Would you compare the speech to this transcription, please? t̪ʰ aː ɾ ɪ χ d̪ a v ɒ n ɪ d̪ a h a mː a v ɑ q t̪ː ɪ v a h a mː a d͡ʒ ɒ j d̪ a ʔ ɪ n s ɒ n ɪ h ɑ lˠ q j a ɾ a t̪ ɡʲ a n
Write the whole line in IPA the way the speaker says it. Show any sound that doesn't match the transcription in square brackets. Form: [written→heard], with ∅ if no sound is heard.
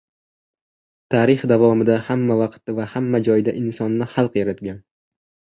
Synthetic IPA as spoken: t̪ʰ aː ɾ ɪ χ d̪ a v ɒ [n→m] ɪ d̪ a h a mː a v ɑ q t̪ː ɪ v a h a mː a d͡ʒ ɒ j d̪ a ʔ ɪ n s ɒ [n→nː] ɪ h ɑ lˠ q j a ɾ a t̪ ɡʲ a n